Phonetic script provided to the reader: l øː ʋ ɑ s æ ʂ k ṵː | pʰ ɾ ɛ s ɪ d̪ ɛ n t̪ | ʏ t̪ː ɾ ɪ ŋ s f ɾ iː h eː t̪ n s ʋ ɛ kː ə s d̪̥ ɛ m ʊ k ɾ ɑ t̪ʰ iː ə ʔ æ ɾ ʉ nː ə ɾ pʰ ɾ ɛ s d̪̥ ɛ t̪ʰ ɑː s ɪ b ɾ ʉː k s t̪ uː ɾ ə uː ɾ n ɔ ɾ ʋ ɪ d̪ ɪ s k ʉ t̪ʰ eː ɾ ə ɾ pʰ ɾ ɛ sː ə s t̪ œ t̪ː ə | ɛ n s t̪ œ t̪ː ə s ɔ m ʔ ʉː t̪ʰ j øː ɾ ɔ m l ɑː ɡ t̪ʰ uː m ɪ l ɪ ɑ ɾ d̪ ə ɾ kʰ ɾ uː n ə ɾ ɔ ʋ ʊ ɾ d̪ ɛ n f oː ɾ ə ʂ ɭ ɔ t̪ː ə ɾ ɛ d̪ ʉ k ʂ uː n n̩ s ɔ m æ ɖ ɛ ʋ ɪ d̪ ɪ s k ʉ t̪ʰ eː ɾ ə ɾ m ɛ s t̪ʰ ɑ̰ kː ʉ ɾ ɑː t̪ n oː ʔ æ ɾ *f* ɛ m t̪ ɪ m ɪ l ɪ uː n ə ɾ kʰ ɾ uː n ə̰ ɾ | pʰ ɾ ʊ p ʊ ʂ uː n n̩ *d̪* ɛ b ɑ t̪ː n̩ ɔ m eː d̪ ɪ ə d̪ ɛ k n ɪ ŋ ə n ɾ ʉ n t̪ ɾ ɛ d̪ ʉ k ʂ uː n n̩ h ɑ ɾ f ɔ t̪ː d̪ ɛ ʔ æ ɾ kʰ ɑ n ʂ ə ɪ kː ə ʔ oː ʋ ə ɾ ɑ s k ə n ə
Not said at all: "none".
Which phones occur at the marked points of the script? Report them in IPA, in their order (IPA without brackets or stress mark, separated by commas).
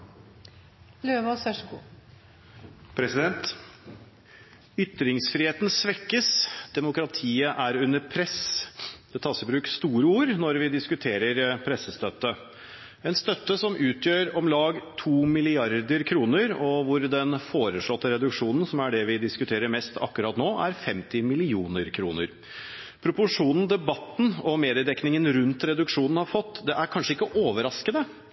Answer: f, d̪